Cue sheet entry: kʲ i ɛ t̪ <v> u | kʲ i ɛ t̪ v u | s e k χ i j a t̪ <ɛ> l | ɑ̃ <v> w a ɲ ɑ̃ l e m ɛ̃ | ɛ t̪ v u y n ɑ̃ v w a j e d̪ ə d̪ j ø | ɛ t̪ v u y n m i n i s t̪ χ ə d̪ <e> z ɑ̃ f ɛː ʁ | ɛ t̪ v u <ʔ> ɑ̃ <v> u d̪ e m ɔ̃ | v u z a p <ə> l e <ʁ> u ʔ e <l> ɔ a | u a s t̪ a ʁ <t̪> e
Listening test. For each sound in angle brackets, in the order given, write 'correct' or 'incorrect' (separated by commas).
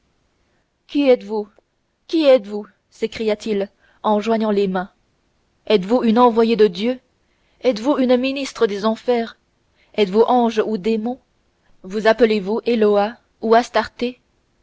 correct, incorrect, incorrect, correct, correct, incorrect, correct, incorrect, correct, correct